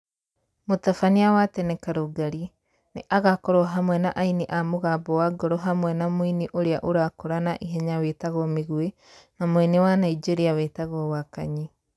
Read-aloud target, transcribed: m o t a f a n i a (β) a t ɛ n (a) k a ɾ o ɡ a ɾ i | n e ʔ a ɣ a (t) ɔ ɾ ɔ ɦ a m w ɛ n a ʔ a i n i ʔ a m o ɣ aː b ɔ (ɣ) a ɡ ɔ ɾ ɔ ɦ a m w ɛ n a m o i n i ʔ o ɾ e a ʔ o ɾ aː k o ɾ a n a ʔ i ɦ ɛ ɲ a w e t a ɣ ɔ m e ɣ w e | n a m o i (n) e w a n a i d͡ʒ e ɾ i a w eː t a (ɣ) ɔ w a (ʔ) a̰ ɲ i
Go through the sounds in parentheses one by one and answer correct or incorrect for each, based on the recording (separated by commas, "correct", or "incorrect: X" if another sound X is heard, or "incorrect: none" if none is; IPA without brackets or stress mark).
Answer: incorrect: w, incorrect: ɛ, incorrect: k, incorrect: w, correct, correct, incorrect: k